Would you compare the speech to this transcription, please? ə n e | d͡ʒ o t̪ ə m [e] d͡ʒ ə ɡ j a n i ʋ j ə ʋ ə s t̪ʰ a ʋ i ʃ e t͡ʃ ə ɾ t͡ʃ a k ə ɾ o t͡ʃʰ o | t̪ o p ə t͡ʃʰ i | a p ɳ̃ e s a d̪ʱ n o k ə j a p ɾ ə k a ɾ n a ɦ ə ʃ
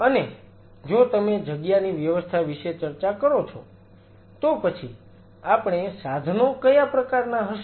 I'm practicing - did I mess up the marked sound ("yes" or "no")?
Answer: no